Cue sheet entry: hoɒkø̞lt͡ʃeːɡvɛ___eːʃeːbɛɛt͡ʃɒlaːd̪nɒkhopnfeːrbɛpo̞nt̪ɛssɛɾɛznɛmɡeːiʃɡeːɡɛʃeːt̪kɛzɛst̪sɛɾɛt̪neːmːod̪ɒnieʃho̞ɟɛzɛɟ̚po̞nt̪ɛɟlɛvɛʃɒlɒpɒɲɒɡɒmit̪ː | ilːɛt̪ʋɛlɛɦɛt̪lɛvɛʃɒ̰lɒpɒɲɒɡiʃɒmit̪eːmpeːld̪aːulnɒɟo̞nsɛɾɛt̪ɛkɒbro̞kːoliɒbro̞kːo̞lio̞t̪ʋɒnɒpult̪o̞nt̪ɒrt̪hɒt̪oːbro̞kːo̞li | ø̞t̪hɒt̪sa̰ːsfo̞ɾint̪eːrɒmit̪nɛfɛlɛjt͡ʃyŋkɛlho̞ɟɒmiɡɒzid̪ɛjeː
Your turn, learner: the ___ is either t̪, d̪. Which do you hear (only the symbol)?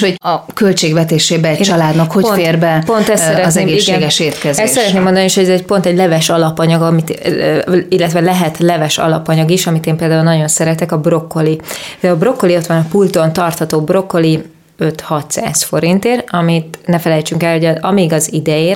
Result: t̪